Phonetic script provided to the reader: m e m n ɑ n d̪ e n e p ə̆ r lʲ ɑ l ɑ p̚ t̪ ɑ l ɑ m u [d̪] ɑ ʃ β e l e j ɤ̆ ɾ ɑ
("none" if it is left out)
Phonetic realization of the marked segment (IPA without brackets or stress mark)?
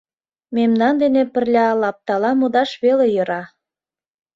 d̪